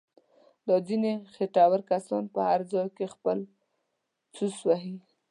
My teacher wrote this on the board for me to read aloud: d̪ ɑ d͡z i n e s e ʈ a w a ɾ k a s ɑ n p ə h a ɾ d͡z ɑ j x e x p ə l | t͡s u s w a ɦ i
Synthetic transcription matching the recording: d̪ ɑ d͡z i n e x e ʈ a w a ɾ k a s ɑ n p ə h a ɾ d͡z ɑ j k e x p ə l | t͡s u s w a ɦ i